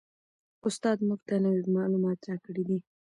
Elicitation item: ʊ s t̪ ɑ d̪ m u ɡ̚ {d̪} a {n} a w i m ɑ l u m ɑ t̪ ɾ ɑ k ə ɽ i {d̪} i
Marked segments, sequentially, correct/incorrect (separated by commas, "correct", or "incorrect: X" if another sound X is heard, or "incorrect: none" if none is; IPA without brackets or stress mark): incorrect: t̪, correct, correct